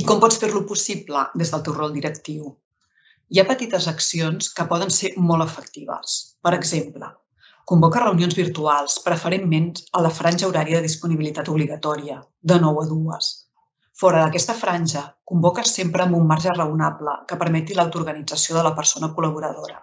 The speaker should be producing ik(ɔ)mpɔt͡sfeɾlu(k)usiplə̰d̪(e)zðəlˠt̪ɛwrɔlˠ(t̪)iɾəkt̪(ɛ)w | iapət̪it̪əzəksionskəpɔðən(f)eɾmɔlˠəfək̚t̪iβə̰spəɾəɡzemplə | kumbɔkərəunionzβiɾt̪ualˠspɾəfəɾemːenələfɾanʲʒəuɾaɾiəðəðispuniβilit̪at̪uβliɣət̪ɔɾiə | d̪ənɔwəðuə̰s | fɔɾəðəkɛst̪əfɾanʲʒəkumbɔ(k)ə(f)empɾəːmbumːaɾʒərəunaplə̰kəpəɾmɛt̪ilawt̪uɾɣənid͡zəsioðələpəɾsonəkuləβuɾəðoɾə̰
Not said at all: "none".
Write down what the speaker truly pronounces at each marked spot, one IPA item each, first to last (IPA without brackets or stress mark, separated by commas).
ɔ, p, e, d̪, i, s, k, s